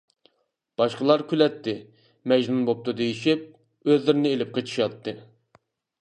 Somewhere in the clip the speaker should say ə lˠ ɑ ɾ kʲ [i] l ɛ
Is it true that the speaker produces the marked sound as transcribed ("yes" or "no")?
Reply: no